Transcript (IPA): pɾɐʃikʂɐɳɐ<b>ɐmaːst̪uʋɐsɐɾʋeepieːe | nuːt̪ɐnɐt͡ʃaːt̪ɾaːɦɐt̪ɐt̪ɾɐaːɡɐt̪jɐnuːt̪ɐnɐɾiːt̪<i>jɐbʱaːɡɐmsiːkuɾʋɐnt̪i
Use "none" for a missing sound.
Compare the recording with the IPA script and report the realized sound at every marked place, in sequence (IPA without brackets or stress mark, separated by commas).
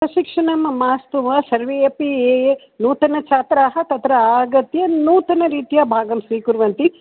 m, i